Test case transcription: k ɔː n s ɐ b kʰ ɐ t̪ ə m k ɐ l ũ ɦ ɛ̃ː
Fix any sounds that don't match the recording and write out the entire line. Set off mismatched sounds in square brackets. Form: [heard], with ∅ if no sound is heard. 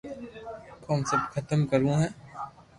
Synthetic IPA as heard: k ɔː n s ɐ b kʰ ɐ t̪ ə m k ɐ [ɾ] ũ ɦ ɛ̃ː